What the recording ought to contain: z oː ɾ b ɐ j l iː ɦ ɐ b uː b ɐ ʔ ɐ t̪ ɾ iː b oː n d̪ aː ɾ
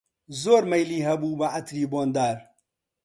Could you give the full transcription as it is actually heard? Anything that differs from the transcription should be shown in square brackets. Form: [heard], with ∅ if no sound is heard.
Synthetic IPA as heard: z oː ɾ [m] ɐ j l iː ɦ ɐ b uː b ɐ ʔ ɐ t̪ ɾ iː b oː n d̪ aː ɾ